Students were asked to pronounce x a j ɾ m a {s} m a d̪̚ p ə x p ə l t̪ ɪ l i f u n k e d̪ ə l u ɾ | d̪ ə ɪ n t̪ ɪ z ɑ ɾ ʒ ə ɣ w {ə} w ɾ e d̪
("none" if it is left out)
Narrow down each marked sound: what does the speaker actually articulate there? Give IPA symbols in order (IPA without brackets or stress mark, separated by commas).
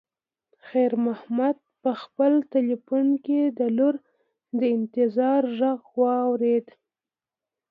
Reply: h, ɑ